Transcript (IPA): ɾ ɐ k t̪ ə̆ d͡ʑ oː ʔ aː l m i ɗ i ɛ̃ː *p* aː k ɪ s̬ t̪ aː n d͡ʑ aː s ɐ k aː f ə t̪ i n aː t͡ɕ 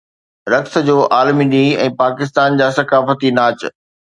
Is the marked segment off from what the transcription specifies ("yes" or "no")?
no